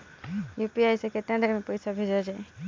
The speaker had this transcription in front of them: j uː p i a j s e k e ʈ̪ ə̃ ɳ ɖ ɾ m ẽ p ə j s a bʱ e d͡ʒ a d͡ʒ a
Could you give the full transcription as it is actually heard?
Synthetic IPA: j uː p i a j s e k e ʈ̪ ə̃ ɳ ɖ ɾ m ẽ p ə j s a bʱ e d͡ʒ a d͡ʒ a